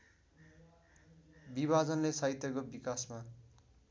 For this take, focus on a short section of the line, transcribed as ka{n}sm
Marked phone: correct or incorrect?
incorrect